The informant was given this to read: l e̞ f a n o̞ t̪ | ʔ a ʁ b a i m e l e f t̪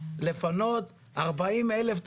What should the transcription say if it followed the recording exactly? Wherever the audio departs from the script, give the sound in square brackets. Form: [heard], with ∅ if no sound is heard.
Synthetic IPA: l e̞ f a n o̞ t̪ | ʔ a ʁ b a i m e l e f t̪